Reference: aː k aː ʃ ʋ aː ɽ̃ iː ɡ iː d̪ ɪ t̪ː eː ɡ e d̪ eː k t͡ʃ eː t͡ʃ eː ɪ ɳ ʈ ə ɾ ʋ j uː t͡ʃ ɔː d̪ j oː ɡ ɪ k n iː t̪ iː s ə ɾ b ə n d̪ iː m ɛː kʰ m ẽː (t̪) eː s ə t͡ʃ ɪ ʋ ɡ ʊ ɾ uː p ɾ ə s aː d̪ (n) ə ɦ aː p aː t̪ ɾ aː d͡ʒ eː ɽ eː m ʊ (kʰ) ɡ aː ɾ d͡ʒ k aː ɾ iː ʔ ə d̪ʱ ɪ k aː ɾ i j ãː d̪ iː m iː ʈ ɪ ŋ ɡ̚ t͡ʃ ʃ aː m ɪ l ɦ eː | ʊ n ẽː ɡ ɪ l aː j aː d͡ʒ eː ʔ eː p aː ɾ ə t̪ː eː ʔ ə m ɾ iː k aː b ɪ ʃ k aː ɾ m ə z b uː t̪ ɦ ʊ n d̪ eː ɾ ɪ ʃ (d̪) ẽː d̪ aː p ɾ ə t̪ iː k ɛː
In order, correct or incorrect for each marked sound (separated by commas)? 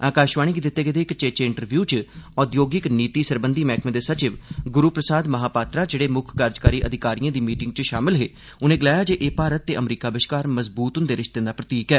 incorrect, incorrect, correct, incorrect